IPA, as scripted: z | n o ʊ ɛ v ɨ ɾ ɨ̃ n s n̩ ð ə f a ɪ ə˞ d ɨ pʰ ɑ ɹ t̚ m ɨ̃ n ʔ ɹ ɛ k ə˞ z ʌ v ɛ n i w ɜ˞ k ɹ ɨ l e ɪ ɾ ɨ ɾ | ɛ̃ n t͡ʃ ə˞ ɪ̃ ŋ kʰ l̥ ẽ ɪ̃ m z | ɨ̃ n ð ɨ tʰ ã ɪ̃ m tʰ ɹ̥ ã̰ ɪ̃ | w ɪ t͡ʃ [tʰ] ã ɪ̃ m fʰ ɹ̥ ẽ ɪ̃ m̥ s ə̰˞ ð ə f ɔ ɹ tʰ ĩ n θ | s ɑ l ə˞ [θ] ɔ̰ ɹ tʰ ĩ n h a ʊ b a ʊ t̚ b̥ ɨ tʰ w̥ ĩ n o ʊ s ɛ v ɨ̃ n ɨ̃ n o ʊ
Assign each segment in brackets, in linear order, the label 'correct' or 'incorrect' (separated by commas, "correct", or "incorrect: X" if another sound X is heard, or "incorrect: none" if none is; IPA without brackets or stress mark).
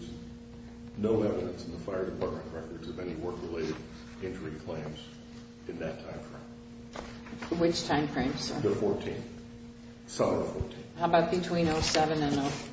correct, incorrect: f